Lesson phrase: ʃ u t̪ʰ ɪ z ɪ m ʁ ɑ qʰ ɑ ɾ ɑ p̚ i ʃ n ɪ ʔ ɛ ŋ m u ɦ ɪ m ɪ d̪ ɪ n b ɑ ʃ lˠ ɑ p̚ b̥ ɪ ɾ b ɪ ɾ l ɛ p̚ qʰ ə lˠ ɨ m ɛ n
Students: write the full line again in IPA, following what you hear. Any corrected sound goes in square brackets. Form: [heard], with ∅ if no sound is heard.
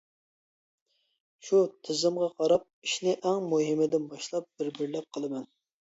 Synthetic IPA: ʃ u t̪ʰ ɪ z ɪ m ʁ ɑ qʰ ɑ ɾ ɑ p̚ i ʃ n ɪ ʔ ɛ ŋ m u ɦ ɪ m ɪ d̪ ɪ n b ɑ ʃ lˠ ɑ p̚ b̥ ɪ ɾ b ɪ ɾ l ɛ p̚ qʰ ə lˠ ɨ m ɛ n